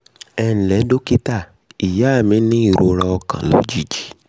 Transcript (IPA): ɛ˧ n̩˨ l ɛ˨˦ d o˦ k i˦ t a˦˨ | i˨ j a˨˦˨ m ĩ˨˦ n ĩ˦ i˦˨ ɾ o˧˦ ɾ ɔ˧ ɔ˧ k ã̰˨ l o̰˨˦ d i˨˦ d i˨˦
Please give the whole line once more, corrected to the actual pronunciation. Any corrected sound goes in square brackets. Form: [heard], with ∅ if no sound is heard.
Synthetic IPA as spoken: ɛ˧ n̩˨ l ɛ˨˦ d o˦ k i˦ t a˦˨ | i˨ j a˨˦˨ m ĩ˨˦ n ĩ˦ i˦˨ ɾ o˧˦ ɾ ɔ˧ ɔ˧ k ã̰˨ l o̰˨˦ [d͡ʒ] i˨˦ [d͡ʒ] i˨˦